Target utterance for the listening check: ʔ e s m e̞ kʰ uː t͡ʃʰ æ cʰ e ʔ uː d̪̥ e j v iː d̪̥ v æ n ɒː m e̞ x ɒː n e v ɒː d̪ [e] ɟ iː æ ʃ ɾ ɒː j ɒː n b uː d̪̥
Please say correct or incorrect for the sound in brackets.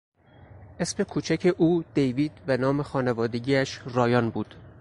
correct